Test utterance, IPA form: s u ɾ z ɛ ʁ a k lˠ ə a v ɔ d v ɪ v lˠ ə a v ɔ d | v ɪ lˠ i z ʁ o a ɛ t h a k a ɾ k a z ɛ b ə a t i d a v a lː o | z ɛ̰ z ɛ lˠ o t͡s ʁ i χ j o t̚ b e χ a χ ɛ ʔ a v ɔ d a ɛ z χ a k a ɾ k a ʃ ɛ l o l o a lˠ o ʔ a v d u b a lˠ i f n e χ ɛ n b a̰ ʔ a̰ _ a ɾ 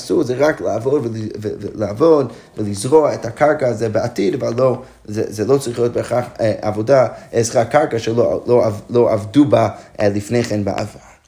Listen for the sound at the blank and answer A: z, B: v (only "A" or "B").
B